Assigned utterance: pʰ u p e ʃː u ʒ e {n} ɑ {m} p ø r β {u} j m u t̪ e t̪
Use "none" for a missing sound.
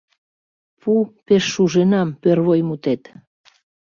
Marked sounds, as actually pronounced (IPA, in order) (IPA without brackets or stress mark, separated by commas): n, m, o